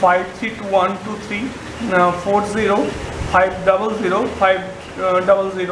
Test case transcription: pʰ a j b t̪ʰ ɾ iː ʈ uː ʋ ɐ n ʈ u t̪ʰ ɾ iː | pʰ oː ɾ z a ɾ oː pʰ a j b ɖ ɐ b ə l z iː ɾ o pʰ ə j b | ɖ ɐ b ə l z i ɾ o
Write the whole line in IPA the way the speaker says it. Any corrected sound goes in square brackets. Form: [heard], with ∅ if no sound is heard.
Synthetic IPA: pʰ a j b t̪ʰ ɾ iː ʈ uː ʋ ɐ n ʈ u t̪ʰ ɾ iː | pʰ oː ɾ z [i] ɾ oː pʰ a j b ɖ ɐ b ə l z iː ɾ o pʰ [a] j b | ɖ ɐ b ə l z i ɾ o